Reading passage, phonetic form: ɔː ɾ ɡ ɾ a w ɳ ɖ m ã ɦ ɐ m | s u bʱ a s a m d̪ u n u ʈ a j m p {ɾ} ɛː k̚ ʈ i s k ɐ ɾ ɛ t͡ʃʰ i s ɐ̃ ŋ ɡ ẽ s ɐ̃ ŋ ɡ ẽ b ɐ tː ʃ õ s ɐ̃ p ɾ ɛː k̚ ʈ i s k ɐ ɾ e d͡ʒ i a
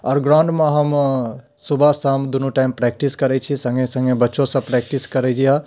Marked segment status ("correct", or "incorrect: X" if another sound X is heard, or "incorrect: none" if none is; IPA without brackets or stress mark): correct